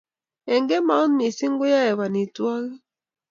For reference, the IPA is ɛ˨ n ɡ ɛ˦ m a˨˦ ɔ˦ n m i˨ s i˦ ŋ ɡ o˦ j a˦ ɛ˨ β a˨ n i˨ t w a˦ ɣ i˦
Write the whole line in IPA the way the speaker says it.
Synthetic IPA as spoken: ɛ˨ ŋ ɡ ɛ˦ m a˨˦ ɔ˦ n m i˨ s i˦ ŋ ɡ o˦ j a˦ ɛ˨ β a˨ n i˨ t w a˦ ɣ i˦